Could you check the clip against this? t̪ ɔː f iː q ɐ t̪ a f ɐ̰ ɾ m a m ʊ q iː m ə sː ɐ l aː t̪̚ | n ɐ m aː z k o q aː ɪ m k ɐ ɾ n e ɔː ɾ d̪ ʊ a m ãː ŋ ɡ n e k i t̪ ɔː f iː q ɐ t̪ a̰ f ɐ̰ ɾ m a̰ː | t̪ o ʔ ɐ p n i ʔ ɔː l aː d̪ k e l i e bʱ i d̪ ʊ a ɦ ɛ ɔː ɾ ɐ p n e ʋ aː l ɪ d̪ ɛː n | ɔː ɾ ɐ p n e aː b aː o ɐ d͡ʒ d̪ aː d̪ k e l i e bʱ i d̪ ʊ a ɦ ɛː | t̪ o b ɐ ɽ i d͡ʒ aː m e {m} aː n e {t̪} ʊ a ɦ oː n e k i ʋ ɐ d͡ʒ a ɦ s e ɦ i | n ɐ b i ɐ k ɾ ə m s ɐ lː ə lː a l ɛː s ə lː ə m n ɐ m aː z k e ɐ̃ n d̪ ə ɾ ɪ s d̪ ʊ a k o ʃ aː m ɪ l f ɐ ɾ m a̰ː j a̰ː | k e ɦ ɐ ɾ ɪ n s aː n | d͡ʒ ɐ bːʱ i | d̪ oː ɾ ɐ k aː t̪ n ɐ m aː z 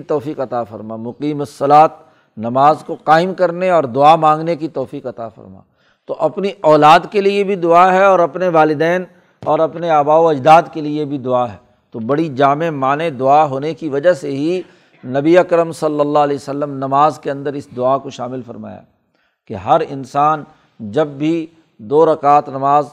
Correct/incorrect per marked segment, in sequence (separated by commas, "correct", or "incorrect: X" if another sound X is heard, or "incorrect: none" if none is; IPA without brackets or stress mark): correct, incorrect: d̪